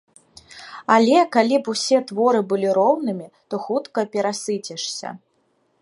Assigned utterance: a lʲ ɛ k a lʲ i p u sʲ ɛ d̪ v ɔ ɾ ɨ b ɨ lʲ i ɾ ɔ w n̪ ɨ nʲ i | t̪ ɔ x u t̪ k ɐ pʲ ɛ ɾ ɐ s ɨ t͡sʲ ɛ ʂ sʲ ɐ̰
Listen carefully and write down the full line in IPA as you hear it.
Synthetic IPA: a lʲ ɛ k a lʲ i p u sʲ ɛ t̪ v ɔ ɾ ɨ b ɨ lʲ i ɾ ɔ w n̪ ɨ mʲ i | t̪ ɔ x u t̪ k ɐ pʲ ɛ ɾ a s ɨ t͡sʲ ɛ ʂ sʲ ɐ̰